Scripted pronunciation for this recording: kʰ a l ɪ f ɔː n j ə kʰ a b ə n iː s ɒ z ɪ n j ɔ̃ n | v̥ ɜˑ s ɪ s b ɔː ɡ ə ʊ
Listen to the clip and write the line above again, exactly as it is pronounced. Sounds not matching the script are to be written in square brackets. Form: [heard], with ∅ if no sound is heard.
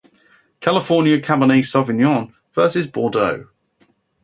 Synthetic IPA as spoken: kʰ a l ɪ f ɔː n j ə kʰ a b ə n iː s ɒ [v] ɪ n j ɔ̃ n | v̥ ɜˑ s ɪ [z] b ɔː [d] ə ʊ